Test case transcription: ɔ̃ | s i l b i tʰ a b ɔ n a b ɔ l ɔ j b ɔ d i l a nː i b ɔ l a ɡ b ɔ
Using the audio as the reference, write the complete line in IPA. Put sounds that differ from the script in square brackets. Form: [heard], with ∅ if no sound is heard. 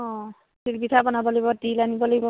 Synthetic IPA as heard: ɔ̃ | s i l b i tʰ a b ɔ n a b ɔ l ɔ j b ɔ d i l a [n] i b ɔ l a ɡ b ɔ